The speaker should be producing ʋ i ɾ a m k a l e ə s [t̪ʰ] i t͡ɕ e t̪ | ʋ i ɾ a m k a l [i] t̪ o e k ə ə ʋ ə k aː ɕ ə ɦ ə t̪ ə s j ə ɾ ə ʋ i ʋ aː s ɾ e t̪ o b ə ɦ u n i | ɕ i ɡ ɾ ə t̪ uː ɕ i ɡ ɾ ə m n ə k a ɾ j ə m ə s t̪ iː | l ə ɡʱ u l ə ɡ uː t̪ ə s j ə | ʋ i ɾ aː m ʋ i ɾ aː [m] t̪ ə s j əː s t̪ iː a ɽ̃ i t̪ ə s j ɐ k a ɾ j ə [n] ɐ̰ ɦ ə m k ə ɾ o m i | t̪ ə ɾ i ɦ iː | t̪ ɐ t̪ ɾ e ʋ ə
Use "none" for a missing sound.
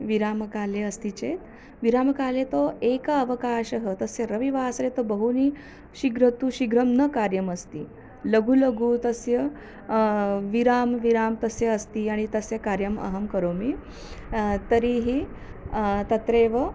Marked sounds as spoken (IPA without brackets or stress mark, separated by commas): t̪, e, m, m